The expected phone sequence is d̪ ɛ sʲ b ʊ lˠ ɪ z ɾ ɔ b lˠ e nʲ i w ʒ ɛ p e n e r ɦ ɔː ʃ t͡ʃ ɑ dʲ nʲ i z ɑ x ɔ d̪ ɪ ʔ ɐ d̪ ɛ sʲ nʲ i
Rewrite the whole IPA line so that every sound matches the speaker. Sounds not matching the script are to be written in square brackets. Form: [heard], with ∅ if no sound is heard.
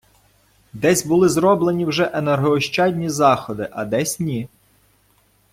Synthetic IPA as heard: d̪ ɛ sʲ b ʊ lˠ ɪ z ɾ ɔ b lˠ e nʲ i w ʒ ɛ [ʔ] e n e r ɦ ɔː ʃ t͡ʃ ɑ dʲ nʲ i z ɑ x ɔ d̪ ɪ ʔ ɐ d̪ ɛ sʲ nʲ i